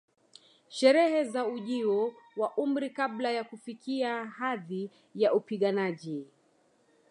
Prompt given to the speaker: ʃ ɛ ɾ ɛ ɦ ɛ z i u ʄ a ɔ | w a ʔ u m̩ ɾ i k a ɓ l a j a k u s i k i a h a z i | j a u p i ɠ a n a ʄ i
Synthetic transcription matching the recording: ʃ ɛ ɾ ɛ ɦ ɛ z a u ʄ i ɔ | w a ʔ u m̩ ɾ i k a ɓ l a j a k u f i k i a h a ð i | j a u p i ɠ a n a ʄ i